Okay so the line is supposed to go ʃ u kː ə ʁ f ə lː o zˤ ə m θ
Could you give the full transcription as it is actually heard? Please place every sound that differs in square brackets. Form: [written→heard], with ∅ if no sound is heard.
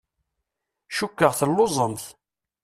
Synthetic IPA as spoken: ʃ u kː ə ʁ [f→θ] ə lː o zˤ ə m θ